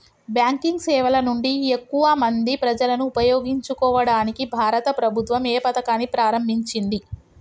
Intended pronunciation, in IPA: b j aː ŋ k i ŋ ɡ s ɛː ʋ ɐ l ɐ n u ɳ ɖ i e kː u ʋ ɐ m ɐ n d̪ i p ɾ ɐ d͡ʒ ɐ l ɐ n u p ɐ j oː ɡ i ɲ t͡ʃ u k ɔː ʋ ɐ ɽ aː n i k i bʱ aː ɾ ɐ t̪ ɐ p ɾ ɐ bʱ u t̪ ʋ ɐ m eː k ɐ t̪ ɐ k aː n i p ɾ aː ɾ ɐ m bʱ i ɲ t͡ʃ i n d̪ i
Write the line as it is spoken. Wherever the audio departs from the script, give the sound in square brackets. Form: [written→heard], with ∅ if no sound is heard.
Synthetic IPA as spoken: b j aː ŋ k i ŋ ɡ s ɛː ʋ ɐ l ɐ n u ɳ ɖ i e kː u ʋ ɐ m ɐ n d̪ i p ɾ ɐ d͡ʒ ɐ l ɐ n [u→uː] p ɐ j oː ɡ i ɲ t͡ʃ u k ɔː ʋ ɐ ɽ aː n i k i bʱ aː ɾ ɐ t̪ ɐ p ɾ ɐ bʱ u t̪ ʋ ɐ m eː [k→p] ɐ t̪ ɐ k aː n i p ɾ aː ɾ ɐ m bʱ i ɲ t͡ʃ i n d̪ i